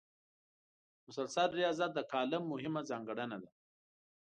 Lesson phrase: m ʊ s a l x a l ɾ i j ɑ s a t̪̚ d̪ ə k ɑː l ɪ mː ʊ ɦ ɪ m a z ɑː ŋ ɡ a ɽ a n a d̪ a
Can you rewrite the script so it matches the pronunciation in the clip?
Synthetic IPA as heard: m ʊ s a l s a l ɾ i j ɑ z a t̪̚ d̪ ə k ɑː l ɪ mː ʊ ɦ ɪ m a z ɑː ŋ ɡ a ɽ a n a d̪ a